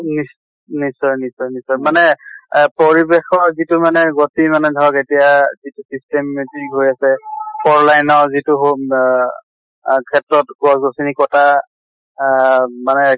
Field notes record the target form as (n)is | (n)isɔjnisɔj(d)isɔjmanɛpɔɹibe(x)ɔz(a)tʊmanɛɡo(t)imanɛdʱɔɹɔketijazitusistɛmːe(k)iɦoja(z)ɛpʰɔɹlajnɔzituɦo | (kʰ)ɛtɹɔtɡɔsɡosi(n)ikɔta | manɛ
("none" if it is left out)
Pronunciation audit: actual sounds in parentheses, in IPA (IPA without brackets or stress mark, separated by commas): n, n, n, x, i, t, t, s, kʰ, n